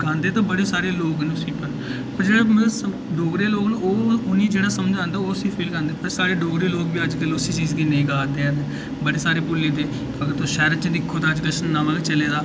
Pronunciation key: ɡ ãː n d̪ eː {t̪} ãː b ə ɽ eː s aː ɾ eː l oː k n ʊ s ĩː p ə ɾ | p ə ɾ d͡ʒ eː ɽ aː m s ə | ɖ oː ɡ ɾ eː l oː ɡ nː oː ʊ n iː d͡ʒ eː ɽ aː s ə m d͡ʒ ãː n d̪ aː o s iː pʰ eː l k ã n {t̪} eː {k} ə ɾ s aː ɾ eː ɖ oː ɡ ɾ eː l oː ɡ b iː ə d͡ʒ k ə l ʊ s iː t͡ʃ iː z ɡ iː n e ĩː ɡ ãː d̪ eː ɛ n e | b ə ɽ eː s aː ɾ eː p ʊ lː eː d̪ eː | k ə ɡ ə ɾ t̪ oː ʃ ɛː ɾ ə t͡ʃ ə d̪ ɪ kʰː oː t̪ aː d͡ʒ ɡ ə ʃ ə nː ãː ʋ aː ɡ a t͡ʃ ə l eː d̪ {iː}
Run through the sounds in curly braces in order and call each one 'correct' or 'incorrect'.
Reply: correct, incorrect: d̪, incorrect: p, incorrect: aː

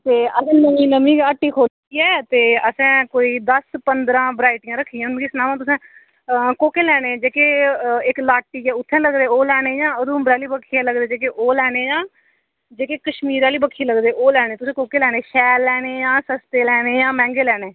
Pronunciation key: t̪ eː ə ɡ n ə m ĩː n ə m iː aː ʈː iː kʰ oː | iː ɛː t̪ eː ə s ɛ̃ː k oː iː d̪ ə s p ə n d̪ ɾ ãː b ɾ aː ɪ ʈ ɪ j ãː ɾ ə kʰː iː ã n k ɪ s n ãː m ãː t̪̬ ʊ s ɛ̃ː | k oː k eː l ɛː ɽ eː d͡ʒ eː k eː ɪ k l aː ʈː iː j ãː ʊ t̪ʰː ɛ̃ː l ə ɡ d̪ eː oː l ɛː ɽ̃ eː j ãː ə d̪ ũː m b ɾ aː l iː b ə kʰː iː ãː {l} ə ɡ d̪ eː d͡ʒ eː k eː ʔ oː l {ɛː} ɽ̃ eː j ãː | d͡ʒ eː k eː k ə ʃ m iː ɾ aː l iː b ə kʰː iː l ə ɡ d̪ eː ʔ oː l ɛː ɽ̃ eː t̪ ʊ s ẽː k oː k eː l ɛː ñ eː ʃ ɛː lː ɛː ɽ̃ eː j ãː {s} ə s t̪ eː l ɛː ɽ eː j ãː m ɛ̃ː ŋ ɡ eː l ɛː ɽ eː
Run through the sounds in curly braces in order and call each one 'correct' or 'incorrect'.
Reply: correct, correct, correct

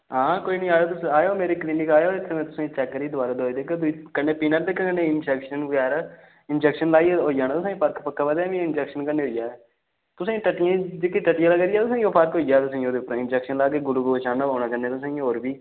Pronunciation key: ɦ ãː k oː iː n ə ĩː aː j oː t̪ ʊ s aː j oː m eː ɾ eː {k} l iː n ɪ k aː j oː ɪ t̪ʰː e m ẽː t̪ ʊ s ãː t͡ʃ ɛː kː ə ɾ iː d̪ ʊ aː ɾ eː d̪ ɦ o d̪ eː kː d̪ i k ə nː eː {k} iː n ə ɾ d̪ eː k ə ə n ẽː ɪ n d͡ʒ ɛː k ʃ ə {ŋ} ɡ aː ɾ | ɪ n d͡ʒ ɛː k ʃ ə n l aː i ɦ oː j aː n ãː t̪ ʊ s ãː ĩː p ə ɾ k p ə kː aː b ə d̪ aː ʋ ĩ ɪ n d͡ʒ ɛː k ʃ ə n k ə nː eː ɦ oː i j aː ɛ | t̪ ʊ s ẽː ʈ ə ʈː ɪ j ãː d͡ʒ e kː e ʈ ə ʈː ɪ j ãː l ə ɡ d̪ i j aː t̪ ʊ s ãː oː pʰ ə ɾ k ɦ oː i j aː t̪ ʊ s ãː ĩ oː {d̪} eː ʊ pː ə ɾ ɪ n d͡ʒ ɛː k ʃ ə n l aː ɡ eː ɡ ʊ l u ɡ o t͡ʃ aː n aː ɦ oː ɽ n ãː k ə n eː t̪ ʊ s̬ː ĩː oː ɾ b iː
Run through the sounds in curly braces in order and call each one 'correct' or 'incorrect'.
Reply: correct, incorrect: p, incorrect: n, correct

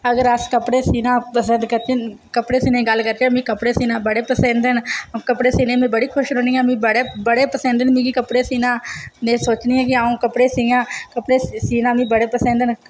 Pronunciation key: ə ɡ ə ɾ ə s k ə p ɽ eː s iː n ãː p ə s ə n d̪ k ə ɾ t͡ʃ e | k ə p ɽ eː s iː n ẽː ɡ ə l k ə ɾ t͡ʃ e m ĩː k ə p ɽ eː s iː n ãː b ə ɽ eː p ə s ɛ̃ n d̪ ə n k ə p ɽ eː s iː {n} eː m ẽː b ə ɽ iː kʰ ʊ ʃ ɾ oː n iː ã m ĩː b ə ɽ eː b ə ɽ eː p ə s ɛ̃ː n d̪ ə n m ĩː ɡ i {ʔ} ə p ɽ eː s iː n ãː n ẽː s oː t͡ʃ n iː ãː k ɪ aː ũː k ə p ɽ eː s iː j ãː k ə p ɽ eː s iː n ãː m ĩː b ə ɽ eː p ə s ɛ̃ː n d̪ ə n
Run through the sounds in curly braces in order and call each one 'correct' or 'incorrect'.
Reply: correct, incorrect: k

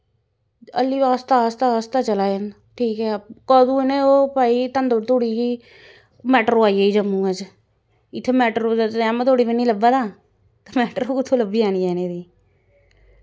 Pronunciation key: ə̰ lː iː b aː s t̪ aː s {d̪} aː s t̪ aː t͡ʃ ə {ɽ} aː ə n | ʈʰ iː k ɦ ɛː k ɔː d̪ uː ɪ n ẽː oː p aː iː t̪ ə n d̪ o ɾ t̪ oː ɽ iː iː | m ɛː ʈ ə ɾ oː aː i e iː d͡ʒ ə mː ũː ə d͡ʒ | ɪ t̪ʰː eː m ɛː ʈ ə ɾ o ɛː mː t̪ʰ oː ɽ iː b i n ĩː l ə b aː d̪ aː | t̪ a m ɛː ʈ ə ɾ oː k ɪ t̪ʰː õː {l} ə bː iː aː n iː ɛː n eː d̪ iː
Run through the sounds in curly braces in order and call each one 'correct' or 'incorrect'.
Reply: incorrect: t̪, incorrect: l, correct

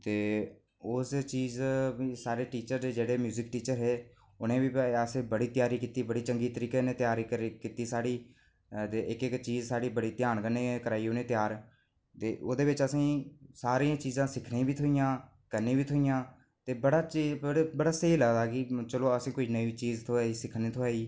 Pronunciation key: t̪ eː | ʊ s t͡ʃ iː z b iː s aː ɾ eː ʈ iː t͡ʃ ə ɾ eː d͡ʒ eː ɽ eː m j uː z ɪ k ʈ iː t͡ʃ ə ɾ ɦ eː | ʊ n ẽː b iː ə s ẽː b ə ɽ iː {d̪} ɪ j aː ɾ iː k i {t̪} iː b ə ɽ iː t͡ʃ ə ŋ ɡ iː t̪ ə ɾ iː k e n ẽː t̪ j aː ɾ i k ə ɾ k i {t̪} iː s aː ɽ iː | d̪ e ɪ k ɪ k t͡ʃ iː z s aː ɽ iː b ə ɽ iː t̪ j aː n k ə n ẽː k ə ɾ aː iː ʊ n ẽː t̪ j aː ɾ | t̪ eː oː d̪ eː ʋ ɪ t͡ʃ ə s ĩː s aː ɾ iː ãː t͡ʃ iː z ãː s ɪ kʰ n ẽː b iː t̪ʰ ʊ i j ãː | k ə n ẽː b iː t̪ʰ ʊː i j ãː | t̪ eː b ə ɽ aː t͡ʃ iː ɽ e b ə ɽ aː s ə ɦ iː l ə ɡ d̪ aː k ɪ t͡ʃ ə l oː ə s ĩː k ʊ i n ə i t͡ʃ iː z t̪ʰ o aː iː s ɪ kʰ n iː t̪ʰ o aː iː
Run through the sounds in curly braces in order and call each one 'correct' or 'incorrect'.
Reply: incorrect: t̪, correct, correct

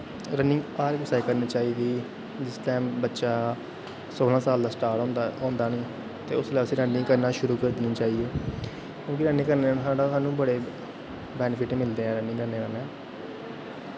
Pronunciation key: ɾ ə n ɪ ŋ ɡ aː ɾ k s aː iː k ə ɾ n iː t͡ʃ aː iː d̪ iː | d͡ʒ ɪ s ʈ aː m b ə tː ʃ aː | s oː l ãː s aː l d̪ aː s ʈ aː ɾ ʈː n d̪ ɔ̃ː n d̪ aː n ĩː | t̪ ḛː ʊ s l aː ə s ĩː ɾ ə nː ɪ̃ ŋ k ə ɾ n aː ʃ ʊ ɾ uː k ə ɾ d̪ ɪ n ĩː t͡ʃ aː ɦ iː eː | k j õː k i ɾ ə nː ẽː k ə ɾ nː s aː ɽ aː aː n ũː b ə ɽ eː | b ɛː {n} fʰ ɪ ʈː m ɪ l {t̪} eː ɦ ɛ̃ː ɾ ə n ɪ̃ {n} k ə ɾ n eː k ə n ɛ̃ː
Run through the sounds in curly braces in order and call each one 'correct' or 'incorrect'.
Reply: correct, incorrect: d̪, incorrect: ŋ

